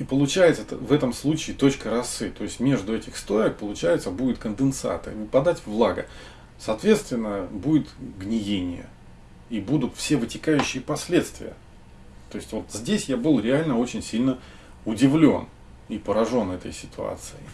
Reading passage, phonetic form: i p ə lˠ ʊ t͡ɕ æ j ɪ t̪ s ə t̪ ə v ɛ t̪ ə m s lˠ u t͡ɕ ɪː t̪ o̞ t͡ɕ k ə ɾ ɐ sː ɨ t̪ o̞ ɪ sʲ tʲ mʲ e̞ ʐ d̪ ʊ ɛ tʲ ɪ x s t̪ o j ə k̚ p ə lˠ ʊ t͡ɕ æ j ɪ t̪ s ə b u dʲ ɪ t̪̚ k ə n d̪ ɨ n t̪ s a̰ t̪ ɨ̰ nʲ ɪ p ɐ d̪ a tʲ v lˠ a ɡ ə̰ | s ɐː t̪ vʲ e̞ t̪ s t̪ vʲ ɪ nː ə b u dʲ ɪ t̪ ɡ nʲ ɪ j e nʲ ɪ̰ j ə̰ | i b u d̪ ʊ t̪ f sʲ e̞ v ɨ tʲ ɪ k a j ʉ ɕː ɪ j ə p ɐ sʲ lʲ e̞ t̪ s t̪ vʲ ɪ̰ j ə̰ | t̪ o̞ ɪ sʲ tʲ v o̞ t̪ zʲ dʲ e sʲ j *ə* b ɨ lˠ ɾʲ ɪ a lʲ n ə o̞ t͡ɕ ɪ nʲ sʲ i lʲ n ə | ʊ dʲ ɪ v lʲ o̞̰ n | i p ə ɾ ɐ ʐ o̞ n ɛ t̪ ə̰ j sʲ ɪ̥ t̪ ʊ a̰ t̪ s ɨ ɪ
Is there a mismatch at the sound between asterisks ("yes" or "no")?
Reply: yes